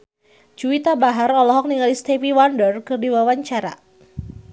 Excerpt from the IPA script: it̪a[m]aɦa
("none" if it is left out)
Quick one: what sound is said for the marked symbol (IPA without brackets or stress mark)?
b